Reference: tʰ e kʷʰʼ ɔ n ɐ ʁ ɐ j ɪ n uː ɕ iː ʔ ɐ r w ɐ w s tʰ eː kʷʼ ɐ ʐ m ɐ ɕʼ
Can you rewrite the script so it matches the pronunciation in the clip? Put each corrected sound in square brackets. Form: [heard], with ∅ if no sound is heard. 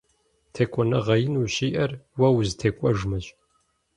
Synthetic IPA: tʰ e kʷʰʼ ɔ n ɐ ʁ ɐ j ɪ n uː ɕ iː ʔ ɐ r w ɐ w [z] tʰ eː kʷʼ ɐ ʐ m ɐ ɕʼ

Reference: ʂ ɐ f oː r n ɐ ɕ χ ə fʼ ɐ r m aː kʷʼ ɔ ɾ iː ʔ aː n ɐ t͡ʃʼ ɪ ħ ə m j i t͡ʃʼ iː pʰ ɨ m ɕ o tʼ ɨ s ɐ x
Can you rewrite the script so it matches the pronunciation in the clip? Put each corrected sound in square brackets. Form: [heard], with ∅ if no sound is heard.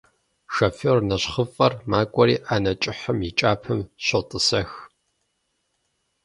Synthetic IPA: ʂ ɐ f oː r n ɐ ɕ χ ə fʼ ɐ r m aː kʷʼ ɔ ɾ iː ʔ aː n ɐ t͡ʃʼ ɪ ħ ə m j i t͡ʃʼ [aː] pʰ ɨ m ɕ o tʼ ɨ s ɐ x

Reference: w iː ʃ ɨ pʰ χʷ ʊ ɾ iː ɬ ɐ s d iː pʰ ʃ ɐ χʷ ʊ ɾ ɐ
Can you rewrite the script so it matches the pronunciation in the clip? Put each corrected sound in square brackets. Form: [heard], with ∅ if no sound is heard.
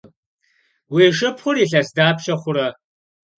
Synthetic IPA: w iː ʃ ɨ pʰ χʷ ʊ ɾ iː ɬ ɐ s d [aː] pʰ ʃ ɐ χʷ ʊ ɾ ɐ

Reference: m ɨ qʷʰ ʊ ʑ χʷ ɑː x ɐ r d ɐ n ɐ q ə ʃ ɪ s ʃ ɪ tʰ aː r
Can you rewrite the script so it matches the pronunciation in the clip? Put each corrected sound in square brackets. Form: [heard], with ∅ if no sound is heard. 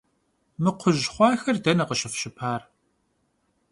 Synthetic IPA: m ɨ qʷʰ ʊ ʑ χʷ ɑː x ɐ r d ɐ n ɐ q ə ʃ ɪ [f] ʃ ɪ [pʰ] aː r

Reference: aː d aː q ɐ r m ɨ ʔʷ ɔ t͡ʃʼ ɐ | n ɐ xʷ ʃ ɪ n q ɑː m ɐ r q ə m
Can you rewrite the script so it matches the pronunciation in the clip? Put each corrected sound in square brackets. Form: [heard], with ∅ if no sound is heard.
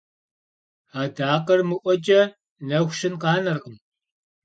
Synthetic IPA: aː d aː q ɐ r m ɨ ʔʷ ɔ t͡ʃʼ ɐ | n ɐ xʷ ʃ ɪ n q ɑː [n] ɐ r q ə m

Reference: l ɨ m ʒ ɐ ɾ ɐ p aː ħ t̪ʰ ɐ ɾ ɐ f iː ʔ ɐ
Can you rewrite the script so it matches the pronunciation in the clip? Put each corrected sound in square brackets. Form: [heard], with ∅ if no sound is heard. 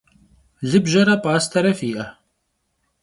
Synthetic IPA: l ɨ [b] ʒ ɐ ɾ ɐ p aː [s] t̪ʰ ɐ ɾ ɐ f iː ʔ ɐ

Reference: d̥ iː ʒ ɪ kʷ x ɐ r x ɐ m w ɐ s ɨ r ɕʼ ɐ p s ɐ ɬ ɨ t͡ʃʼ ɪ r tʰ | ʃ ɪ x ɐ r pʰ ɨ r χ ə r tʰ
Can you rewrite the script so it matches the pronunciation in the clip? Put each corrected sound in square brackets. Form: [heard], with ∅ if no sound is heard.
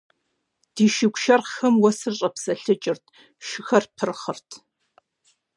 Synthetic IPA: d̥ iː [ʃ] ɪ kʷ [ʃ] ɐ r x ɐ m w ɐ s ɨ r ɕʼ ɐ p s ɐ ɬ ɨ t͡ʃʼ ɪ r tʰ | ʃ ɪ x ɐ r pʰ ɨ r χ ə r tʰ

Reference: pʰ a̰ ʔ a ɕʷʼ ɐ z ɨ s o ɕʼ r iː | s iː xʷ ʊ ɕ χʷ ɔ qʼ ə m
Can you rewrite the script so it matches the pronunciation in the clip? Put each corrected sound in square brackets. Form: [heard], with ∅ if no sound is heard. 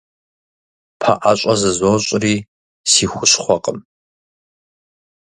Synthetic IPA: pʰ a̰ ʔ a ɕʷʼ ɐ z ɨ [z] o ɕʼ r iː | s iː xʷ ʊ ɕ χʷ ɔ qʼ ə m

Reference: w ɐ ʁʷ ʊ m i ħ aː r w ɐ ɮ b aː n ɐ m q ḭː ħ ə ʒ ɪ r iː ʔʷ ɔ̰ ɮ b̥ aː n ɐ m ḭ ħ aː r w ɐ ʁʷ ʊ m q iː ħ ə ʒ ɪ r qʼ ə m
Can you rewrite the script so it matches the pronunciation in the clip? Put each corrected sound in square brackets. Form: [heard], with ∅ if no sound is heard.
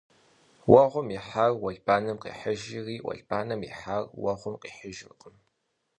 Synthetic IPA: w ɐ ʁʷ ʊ m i ħ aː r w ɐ ɮ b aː n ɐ m q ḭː ħ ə ʒ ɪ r iː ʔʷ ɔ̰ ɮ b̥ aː n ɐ m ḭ ħ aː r w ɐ ʁʷ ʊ m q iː ħ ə ʒ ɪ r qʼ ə m

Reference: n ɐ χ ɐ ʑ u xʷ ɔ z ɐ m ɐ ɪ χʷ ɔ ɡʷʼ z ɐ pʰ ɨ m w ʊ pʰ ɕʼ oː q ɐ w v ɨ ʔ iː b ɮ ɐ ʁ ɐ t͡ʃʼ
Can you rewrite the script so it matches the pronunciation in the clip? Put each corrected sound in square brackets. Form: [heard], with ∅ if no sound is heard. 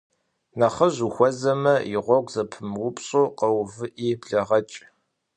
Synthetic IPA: n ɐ χ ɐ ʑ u xʷ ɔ z ɐ m ɐ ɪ [ʁʷ] ɔ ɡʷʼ z ɐ pʰ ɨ m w ʊ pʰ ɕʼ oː q ɐ w v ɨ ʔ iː b ɮ ɐ ʁ ɐ t͡ʃʼ

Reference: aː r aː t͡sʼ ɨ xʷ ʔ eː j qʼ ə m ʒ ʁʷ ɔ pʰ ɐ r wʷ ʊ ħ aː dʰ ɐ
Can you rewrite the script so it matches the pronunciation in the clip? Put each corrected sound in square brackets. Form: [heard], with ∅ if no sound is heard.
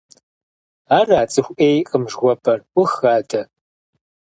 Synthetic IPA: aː r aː t͡sʼ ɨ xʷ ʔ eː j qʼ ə m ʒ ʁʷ ɔ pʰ ɐ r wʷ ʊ [x] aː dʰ ɐ

